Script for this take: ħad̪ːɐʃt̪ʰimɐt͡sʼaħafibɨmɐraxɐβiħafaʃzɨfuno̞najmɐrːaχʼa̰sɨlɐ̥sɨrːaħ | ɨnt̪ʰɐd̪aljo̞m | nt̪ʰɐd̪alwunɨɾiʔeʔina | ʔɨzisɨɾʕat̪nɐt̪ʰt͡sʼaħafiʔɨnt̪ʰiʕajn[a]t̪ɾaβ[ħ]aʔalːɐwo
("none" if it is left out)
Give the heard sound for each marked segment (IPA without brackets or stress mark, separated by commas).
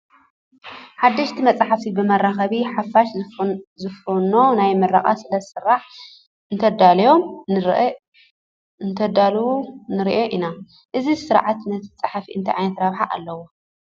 ɐ, ħ